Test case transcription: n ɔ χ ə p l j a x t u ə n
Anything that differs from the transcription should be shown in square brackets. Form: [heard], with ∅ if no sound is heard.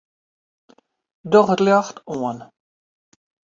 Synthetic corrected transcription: [d] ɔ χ ə [t] l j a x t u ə n